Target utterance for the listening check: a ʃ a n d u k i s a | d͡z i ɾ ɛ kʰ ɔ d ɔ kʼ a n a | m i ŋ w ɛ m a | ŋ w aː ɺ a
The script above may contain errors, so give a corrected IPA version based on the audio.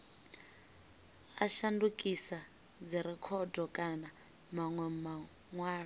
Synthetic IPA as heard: a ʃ a n d u kʼ i s a | d͡z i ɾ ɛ kʰ ɔ d ɔ kʼ a n a | m a ŋ w ɛ m a | ŋ w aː ɺ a